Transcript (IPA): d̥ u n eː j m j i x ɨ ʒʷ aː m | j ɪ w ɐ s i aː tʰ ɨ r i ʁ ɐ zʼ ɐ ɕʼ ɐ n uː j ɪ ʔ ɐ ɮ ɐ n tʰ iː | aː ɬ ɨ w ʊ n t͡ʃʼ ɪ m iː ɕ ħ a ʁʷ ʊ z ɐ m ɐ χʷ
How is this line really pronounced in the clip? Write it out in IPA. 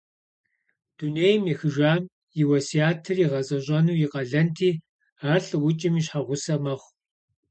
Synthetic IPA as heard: d̥ u n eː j m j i x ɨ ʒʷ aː m | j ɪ w ɐ s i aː tʰ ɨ r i ʁ ɐ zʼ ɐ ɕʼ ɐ n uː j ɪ q ɐ ɮ ɐ n tʰ iː | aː ɬ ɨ w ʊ t͡ʃʼ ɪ m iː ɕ ħ a ʁʷ ʊ s ɐ m ɐ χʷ